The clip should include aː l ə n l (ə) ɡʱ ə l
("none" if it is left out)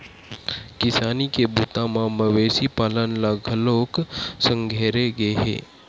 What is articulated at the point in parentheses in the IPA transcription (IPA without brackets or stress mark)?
a